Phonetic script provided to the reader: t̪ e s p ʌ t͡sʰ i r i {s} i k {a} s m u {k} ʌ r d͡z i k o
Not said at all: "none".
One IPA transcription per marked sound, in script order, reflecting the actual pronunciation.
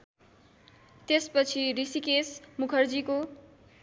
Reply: s, e, kʰ

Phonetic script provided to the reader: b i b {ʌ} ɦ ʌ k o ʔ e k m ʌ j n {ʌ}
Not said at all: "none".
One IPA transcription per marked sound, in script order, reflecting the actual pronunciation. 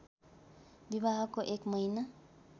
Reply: a, a

